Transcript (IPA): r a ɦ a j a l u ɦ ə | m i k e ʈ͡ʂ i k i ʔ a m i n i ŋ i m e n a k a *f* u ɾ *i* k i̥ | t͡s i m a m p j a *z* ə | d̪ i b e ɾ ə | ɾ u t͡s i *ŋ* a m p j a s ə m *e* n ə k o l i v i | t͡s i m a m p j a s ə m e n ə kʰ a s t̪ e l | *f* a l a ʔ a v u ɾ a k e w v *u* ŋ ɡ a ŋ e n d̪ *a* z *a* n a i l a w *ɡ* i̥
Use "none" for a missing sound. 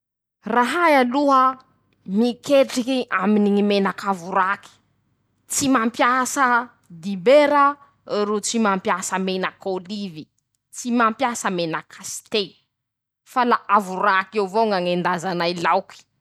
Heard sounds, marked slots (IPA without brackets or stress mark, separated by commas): v, a, s, m, e, f, o, a, a, k